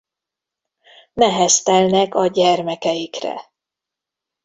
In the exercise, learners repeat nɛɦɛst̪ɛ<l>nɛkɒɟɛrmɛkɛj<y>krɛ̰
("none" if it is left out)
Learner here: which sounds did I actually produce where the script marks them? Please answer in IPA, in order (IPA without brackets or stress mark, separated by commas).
l, i